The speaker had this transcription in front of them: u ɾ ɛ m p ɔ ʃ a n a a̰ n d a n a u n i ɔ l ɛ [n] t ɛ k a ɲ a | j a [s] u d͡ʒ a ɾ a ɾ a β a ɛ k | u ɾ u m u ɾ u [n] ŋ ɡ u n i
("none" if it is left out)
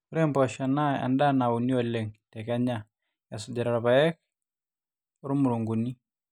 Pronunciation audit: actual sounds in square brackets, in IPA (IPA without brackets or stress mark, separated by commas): ŋ, s, none